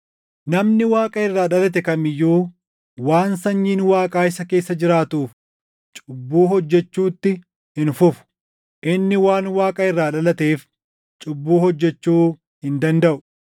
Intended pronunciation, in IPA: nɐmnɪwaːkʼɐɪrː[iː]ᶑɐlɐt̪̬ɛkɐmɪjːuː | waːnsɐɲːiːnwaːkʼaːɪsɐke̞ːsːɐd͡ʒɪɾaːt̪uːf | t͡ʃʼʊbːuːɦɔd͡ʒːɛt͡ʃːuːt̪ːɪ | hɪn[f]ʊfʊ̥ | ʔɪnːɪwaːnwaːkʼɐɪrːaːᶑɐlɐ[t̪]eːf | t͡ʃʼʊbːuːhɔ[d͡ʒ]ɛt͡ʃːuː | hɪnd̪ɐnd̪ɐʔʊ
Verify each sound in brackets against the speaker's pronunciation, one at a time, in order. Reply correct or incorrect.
incorrect, correct, correct, incorrect

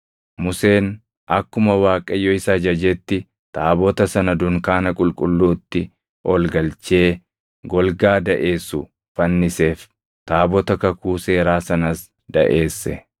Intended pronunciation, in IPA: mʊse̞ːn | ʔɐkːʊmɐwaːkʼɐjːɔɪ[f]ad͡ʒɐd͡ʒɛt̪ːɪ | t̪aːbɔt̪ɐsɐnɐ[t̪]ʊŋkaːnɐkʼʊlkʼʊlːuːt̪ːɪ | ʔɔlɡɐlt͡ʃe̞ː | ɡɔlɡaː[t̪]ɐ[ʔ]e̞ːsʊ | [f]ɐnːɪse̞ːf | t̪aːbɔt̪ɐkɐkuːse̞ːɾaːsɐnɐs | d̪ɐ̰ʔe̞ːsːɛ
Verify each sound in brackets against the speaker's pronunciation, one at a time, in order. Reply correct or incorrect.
incorrect, incorrect, incorrect, correct, correct

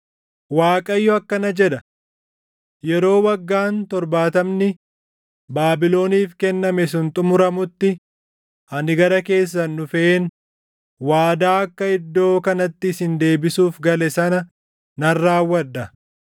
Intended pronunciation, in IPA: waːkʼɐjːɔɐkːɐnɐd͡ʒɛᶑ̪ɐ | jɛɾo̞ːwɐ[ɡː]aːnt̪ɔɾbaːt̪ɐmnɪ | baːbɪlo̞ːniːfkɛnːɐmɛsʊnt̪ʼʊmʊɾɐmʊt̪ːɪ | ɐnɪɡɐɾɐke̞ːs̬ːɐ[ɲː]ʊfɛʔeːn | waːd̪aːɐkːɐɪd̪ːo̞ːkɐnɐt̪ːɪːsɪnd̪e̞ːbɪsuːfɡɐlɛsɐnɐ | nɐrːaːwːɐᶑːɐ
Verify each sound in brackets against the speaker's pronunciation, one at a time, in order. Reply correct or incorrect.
correct, incorrect

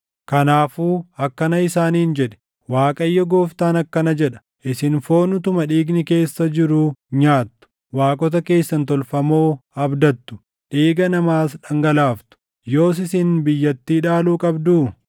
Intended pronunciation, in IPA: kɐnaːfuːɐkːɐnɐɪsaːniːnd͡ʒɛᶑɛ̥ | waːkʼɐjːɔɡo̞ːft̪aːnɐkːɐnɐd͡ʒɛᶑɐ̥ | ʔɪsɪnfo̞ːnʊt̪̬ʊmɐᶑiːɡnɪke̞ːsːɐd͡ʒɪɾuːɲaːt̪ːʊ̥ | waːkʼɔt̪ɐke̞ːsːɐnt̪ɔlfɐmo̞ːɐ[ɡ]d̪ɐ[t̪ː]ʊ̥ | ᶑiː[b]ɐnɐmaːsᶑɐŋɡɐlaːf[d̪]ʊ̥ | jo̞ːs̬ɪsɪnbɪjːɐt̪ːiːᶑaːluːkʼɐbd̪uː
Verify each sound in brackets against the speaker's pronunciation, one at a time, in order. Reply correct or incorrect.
incorrect, correct, incorrect, incorrect

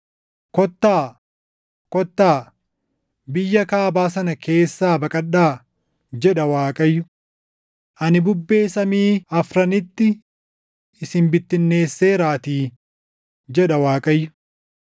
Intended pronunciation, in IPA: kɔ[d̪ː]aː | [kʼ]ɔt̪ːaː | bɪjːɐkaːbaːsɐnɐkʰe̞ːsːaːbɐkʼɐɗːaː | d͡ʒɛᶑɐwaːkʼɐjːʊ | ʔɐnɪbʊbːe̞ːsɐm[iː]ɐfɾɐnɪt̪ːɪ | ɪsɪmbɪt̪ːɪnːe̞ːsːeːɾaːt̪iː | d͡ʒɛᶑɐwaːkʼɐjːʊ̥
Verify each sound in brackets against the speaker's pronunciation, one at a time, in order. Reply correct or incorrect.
incorrect, incorrect, correct

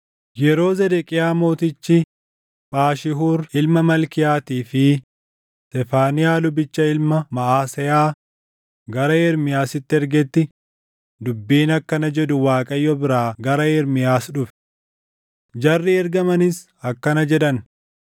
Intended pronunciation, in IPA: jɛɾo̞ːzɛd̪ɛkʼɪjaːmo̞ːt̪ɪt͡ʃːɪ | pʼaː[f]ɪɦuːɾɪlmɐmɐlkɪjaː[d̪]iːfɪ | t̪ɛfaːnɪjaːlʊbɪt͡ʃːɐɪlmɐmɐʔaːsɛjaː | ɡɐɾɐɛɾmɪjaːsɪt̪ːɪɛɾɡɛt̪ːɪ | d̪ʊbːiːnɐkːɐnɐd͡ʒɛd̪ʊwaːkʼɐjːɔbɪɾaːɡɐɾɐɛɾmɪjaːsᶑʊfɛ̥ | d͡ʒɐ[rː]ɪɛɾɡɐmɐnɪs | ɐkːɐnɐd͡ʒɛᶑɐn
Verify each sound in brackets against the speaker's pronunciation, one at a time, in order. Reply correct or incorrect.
incorrect, incorrect, correct

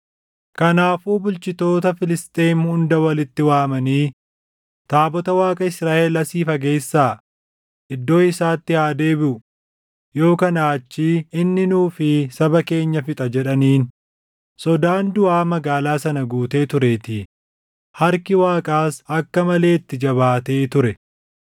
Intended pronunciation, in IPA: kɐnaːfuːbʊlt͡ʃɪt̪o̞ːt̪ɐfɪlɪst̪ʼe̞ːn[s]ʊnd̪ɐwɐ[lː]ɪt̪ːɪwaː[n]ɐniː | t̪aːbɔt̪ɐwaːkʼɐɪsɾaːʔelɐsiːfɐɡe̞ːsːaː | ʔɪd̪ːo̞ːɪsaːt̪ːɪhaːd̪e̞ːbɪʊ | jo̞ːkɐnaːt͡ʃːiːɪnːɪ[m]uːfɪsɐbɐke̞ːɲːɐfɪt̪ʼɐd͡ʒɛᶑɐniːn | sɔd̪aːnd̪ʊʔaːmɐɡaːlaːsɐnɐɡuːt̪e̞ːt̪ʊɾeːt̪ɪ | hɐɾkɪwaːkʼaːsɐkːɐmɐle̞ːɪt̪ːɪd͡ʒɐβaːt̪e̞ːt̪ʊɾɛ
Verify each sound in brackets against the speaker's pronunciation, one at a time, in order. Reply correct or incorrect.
incorrect, incorrect, incorrect, incorrect

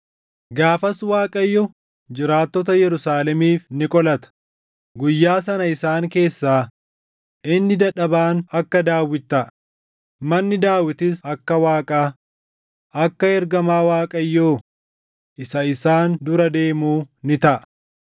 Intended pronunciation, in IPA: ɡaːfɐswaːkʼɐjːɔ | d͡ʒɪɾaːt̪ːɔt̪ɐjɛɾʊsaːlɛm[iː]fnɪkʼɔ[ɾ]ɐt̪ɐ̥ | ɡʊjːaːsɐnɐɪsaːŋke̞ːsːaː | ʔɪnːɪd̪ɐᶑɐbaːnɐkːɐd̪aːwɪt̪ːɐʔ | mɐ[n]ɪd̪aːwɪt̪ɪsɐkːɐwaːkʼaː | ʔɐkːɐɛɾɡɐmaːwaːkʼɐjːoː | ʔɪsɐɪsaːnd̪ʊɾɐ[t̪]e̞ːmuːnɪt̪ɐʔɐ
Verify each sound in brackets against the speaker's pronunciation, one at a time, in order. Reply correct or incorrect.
correct, incorrect, incorrect, incorrect

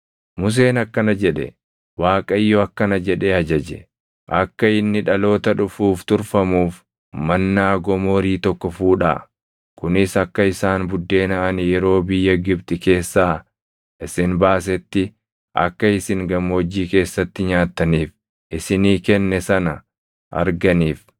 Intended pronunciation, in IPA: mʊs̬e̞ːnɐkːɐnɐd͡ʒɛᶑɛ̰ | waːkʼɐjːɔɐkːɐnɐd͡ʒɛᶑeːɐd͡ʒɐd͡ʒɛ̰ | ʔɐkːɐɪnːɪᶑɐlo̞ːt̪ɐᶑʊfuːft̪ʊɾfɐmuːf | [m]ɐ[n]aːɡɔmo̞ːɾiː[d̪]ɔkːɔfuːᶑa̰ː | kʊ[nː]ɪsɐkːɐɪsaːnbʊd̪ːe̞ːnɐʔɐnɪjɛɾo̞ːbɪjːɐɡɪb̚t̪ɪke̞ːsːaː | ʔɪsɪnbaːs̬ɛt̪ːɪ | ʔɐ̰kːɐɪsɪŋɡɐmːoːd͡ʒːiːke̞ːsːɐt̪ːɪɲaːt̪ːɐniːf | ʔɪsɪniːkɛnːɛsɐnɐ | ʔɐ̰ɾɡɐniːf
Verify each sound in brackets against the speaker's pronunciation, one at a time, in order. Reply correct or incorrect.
correct, incorrect, incorrect, incorrect

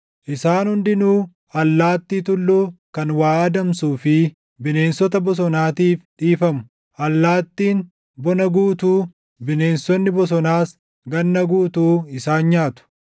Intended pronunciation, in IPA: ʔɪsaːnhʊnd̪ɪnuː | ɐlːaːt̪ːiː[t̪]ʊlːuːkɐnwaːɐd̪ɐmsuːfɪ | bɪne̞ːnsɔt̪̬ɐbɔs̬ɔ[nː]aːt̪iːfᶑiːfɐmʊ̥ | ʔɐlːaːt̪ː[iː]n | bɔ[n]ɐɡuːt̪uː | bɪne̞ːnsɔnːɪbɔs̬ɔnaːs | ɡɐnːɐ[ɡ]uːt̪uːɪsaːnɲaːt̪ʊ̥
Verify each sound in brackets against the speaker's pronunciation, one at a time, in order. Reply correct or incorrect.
correct, incorrect, correct, correct, correct

